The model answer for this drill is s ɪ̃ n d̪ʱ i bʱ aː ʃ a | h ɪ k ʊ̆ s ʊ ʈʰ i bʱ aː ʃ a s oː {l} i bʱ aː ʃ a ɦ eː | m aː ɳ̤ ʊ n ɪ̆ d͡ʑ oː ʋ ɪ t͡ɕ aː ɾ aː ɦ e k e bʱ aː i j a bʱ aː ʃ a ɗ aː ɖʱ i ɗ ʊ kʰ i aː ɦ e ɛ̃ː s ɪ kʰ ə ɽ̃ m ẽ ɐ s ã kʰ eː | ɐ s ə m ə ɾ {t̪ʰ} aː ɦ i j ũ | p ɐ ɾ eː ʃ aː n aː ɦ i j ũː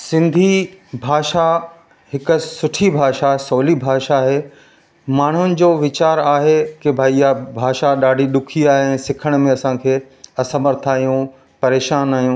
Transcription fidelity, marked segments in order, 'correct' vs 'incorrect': correct, correct

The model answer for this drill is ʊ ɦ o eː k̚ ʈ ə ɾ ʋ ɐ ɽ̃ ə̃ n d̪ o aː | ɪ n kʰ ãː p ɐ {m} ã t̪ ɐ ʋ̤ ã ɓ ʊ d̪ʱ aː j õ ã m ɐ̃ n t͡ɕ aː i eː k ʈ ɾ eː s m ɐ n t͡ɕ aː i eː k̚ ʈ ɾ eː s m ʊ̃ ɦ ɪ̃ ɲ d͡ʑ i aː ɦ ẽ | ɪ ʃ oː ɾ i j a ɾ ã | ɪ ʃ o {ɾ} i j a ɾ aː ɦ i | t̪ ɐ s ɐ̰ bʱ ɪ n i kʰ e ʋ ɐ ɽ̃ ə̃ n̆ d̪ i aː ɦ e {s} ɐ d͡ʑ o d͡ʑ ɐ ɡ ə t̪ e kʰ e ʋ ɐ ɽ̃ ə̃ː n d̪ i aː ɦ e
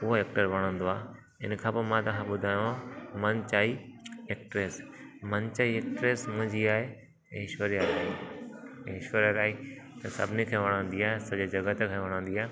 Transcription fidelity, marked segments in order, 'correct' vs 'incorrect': correct, correct, correct

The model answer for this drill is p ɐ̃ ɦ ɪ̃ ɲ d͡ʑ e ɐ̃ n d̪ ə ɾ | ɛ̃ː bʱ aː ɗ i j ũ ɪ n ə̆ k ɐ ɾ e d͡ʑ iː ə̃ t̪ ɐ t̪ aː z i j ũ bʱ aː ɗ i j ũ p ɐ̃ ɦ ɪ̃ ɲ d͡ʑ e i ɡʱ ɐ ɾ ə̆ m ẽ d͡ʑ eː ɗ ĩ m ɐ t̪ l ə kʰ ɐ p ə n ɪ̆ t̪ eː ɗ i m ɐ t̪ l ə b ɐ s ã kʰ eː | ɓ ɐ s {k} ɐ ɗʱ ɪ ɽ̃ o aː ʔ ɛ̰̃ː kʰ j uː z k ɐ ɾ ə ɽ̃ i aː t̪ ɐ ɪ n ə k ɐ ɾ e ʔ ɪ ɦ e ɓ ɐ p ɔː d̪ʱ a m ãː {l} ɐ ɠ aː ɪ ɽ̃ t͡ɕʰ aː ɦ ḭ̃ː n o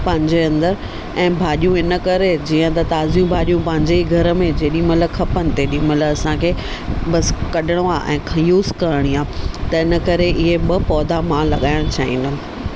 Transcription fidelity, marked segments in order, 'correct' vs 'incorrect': correct, correct

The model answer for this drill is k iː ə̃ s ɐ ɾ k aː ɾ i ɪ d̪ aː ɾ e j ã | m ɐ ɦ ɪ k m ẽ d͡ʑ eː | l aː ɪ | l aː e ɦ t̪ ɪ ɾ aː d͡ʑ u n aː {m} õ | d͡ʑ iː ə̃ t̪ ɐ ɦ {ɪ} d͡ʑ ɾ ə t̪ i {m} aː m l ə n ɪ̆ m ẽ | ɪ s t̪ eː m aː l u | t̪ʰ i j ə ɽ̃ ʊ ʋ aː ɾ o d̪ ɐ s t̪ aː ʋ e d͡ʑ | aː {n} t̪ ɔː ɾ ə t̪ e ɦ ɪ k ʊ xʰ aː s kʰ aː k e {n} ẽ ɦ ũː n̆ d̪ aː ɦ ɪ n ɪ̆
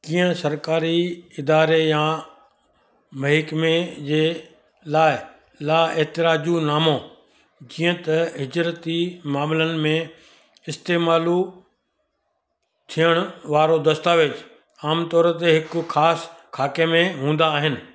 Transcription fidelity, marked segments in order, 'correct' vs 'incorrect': correct, correct, correct, incorrect, incorrect

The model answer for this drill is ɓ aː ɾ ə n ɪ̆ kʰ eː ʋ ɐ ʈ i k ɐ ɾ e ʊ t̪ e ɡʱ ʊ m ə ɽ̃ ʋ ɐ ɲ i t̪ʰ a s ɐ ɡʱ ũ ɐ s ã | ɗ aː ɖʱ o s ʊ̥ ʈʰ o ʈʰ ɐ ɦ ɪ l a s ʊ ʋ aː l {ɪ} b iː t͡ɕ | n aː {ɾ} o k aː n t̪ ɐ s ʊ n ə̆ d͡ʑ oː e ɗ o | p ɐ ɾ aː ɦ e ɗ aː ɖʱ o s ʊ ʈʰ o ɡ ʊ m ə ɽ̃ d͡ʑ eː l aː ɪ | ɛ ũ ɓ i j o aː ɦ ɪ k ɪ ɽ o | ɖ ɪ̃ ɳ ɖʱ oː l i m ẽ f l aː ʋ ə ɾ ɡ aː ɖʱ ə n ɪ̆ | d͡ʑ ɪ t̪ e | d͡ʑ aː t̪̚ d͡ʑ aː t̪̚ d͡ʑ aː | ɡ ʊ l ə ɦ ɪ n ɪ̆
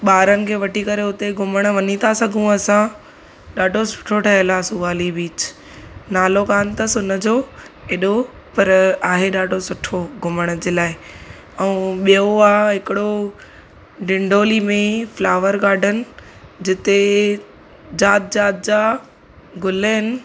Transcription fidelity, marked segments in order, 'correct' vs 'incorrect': incorrect, incorrect

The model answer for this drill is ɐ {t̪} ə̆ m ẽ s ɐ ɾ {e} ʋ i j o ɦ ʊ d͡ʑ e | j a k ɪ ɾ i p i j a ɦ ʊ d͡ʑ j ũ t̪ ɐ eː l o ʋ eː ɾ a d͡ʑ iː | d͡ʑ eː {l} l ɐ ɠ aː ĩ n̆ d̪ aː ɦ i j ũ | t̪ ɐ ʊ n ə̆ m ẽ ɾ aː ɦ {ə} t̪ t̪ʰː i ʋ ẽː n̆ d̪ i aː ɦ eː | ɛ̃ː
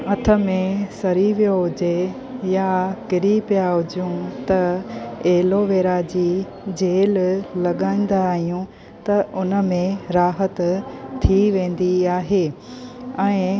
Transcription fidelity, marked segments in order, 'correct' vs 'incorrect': incorrect, incorrect, correct, correct

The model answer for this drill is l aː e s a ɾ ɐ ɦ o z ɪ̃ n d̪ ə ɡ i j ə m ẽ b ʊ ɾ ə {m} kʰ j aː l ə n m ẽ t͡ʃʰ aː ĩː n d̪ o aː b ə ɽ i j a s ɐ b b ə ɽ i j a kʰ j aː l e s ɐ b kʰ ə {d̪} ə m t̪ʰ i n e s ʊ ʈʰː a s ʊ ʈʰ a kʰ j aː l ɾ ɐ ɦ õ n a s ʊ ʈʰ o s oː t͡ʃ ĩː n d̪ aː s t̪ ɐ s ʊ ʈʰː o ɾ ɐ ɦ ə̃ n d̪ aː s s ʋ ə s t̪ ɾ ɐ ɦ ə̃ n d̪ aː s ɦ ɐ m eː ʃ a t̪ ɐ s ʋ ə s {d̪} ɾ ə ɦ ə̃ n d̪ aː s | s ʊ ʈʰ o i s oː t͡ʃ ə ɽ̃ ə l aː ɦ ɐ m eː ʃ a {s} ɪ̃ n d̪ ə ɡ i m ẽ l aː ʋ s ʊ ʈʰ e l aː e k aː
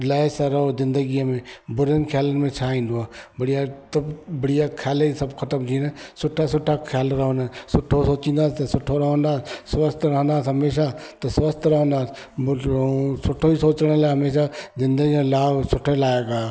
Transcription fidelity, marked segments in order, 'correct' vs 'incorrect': incorrect, incorrect, incorrect, incorrect

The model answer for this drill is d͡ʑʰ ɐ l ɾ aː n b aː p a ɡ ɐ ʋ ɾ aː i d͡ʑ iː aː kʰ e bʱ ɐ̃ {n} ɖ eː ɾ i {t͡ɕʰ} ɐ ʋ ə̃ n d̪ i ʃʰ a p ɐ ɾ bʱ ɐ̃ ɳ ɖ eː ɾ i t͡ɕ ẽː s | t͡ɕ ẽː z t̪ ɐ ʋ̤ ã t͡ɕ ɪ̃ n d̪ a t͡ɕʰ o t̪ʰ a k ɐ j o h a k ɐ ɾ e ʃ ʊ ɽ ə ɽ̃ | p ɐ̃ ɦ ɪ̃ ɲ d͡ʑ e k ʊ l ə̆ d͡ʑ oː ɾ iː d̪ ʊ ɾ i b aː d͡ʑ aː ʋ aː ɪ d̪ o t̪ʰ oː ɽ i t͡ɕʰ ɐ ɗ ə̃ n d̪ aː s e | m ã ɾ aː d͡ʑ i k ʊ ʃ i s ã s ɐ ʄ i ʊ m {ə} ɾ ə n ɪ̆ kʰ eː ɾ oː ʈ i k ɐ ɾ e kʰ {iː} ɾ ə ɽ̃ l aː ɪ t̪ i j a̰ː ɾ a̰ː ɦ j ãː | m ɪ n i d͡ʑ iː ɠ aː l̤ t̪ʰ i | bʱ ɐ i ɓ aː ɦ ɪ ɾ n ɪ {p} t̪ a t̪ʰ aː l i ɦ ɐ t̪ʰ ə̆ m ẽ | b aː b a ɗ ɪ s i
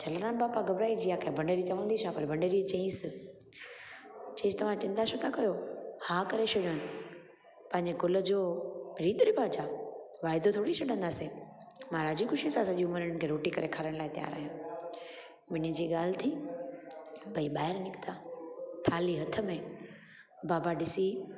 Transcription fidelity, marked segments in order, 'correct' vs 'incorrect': incorrect, incorrect, correct, incorrect, incorrect

